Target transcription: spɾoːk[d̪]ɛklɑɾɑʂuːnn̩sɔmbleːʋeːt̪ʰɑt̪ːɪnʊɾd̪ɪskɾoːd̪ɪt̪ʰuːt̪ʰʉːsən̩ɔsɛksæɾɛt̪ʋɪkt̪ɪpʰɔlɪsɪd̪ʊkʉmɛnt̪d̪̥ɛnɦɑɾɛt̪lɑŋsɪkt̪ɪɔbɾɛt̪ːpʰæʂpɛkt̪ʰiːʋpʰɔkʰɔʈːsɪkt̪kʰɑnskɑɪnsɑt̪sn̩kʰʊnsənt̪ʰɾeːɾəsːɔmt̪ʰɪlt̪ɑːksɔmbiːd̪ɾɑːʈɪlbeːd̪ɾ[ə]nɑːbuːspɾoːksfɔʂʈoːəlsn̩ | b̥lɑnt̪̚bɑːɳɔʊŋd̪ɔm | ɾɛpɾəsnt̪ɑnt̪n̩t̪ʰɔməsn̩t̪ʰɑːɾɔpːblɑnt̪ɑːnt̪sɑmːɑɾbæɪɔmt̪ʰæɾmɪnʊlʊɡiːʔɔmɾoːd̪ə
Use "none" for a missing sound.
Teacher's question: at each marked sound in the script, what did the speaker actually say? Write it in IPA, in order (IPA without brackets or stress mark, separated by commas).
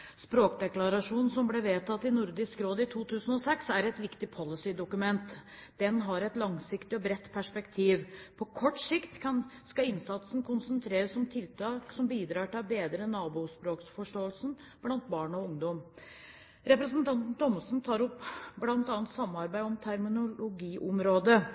d̪, ə